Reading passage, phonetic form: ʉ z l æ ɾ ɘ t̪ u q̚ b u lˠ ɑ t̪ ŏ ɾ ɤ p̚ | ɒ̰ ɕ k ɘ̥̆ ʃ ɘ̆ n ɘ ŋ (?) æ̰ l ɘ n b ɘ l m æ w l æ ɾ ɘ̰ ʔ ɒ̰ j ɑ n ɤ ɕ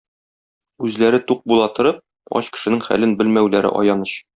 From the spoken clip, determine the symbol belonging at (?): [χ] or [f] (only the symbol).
χ